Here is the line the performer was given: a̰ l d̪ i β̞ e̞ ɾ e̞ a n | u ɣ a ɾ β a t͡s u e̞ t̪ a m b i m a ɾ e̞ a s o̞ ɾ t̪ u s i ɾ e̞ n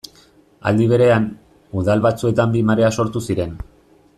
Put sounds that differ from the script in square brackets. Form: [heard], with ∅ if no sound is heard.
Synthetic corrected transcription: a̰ l d̪ i β̞ e̞ ɾ e̞ a n | u [ð] a [l] β a t͡s u e̞ t̪ a m b i m a ɾ e̞ a s o̞ ɾ t̪ u s i ɾ e̞ n